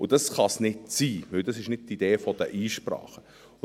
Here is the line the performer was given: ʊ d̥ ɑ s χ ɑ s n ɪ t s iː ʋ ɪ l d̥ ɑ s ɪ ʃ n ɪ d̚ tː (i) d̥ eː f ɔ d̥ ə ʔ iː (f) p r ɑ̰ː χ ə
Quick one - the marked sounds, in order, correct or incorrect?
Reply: correct, incorrect: ʃ

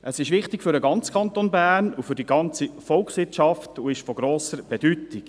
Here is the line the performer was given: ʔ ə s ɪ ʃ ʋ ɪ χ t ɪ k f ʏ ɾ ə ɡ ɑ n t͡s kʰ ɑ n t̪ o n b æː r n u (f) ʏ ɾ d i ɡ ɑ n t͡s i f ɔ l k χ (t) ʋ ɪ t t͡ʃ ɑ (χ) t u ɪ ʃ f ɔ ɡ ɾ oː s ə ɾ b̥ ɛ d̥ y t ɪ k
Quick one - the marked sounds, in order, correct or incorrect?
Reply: correct, incorrect: s, incorrect: f

